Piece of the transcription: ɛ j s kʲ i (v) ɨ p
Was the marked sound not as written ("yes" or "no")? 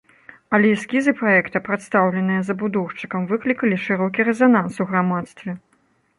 yes